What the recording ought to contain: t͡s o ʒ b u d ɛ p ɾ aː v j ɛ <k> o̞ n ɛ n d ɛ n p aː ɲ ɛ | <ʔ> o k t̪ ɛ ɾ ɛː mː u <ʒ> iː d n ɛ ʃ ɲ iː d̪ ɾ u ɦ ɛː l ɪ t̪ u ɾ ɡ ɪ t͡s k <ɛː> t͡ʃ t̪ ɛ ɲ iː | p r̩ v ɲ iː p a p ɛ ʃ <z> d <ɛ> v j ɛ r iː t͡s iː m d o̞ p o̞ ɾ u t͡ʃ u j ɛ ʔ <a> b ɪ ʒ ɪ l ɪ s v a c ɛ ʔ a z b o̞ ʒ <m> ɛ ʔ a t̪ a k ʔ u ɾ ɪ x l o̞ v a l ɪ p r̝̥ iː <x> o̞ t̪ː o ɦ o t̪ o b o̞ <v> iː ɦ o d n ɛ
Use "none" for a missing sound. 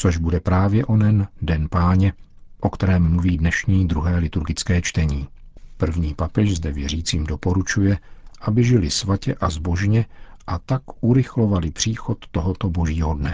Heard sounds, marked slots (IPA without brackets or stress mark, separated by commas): ʔ, ʔ, v, ɛː, z, ɛ, a, ɲ, x, ʒ